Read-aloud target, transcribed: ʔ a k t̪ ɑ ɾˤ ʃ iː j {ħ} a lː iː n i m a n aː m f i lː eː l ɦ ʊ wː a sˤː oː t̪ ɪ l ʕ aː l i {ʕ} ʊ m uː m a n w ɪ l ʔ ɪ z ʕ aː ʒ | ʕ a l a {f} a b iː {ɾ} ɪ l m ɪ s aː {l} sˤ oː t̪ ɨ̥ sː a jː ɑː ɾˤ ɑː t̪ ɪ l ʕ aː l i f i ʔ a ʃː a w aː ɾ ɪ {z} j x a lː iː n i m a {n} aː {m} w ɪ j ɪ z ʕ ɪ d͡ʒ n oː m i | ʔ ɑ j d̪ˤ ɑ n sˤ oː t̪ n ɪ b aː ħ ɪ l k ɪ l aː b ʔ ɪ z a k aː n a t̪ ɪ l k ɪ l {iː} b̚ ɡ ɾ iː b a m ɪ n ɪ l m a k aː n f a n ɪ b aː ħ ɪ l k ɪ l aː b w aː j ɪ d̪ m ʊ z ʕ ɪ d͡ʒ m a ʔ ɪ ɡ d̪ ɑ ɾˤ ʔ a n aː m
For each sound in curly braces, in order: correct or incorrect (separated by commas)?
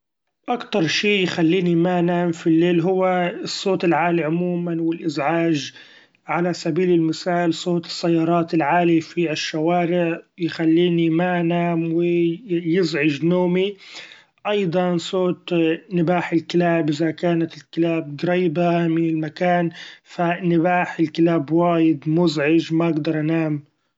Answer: incorrect, correct, incorrect, incorrect, correct, incorrect, correct, correct, incorrect